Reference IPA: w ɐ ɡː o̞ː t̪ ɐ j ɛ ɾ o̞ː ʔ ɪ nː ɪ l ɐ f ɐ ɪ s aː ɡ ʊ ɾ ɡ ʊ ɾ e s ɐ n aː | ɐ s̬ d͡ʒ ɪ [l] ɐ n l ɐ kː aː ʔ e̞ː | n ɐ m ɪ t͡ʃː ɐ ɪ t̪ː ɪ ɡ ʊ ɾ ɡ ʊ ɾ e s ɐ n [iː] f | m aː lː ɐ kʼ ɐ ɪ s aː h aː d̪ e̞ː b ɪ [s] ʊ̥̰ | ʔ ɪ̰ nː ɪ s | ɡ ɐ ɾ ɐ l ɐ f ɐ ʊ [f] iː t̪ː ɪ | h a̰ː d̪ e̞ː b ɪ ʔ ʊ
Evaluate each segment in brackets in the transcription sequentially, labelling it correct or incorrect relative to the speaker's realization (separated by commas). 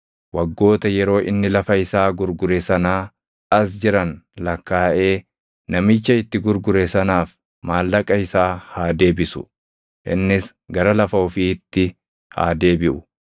incorrect, incorrect, correct, correct